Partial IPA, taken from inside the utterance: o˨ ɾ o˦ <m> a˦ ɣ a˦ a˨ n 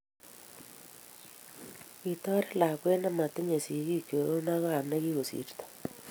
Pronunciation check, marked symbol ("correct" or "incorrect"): incorrect